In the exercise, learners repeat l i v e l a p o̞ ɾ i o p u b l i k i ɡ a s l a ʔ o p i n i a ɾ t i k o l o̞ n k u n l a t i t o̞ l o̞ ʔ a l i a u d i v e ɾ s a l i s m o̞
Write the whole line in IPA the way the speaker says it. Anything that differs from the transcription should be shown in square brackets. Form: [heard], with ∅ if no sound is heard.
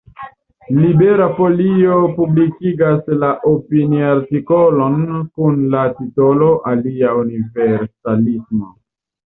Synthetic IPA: l i [b] e [ɾ] a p o̞ [l] i o p u b l i k i ɡ a s l a ʔ o p i n i a ɾ t i k o l o̞ n k u n l a t i t o̞ l o̞ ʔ a l i a u [n] i v e ɾ s a l i s m o̞